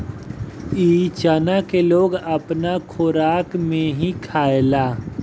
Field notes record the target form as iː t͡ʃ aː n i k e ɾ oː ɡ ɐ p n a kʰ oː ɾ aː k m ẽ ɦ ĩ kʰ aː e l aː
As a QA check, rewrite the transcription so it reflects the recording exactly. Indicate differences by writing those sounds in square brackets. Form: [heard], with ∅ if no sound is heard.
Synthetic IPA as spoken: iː t͡ʃ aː n [a] k e [l] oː ɡ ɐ p n a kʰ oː ɾ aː k m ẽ ɦ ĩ kʰ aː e l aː